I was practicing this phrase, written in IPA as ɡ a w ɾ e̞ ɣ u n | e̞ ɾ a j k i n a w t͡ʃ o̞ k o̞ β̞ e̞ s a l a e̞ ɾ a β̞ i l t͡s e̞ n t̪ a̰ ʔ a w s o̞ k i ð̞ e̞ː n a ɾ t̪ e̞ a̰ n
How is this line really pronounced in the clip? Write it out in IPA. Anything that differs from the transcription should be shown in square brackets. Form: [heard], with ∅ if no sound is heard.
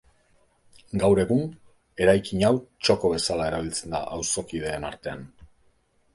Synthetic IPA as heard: ɡ a w ɾ e̞ ɣ u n | e̞ ɾ a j k i [ɲ] a w t͡ʃ o̞ k o̞ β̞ e̞ s a l a e̞ ɾ a β̞ i l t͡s e̞ n [d̪] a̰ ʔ a w s o̞ k i ð̞ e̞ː n a ɾ t̪ e̞ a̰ n